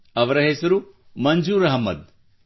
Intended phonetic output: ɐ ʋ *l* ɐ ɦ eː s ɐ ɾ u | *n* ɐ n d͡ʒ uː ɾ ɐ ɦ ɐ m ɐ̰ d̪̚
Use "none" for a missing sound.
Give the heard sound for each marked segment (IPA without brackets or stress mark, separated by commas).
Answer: ɾ, m